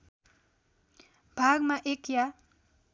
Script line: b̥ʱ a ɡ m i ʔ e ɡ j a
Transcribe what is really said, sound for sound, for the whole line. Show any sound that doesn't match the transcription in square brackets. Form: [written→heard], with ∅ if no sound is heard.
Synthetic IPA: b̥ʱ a ɡ m [i→a] ʔ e [ɡ→k] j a